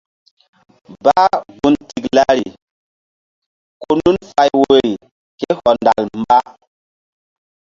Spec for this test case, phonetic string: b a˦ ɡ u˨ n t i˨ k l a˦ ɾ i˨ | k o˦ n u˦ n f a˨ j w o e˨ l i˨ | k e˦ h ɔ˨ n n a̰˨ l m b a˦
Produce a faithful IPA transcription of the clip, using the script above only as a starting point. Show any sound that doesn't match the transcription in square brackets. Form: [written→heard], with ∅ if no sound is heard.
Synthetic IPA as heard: b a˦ ɡ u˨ n t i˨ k l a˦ ɾ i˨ | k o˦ n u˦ n f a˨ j w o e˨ [l→ɾ] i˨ | k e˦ h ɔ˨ n [n→d] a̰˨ l m b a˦